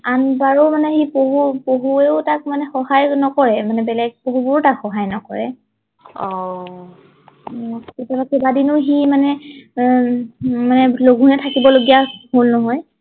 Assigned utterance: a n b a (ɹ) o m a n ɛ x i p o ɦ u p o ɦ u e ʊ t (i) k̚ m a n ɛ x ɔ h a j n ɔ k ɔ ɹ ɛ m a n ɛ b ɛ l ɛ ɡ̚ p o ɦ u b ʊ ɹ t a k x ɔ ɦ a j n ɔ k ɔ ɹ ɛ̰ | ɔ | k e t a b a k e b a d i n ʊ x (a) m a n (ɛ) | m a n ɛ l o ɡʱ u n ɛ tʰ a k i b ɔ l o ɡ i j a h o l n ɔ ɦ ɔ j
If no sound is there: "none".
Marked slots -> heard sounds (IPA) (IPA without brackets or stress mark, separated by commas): ɹ, a, i, ɛ